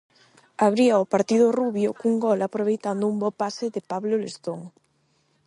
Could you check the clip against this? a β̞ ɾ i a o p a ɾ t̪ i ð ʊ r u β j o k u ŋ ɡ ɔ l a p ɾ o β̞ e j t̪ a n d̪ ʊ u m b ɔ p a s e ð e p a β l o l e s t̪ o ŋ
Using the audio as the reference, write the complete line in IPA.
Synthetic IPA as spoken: a β̞ ɾ i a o p a ɾ t̪ i ð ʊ r u β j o k u ŋ ɡ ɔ l a p ɾ o β̞ e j t̪ a n d̪ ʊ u m b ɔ p a s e ð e p a β l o l e s t̪ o ŋ